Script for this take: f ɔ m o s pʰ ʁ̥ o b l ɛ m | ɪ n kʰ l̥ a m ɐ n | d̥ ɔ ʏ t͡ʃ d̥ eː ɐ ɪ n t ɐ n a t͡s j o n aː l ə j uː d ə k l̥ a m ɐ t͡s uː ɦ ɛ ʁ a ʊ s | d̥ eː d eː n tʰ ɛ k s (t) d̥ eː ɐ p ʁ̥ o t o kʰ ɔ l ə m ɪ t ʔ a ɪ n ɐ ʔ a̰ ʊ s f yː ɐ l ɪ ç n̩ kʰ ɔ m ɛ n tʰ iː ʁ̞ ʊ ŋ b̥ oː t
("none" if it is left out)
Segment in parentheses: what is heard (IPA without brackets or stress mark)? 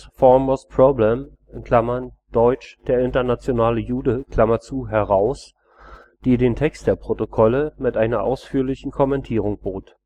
t